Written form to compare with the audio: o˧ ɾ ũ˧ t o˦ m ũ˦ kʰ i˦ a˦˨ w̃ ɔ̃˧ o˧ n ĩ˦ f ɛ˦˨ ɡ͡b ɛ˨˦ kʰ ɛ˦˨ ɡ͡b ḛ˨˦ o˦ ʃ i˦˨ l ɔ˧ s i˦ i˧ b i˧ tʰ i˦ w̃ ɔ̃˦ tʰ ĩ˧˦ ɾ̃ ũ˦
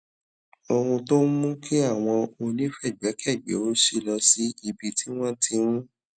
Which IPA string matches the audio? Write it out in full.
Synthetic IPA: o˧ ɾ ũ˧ t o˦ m ũ˦ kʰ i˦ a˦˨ w̃ ɔ̃˧ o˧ n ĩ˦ f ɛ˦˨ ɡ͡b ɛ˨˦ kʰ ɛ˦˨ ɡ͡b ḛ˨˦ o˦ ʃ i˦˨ l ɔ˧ s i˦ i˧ b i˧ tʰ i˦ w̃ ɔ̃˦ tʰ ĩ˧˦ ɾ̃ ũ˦